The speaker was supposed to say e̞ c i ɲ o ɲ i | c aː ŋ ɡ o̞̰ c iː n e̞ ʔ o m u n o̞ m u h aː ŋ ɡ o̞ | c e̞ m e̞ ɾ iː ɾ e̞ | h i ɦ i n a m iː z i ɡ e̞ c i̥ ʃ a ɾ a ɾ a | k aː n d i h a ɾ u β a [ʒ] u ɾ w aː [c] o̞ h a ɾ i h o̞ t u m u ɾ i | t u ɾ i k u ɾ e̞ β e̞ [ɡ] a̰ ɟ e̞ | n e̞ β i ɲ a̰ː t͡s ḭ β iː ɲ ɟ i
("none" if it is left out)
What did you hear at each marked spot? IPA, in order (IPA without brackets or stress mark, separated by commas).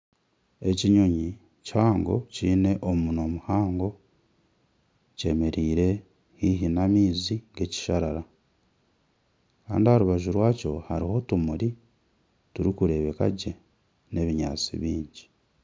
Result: ʒ, c, k